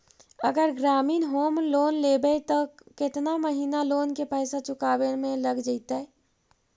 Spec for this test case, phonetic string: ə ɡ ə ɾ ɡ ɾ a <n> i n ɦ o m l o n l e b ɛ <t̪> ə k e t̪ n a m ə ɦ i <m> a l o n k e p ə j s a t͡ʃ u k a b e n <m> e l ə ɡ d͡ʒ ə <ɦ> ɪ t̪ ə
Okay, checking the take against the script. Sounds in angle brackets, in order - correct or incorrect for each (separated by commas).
incorrect, correct, incorrect, correct, incorrect